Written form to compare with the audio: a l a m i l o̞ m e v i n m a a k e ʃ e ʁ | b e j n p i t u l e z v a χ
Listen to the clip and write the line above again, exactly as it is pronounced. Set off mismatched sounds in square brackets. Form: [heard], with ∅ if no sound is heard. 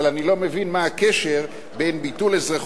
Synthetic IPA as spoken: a l a [n] i l o̞ m e v i n m a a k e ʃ e ʁ | b e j n [b] i t u l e z [ʁ] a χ